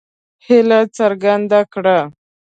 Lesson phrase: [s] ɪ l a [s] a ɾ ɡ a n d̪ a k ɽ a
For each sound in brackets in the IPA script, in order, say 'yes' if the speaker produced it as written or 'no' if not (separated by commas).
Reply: no, no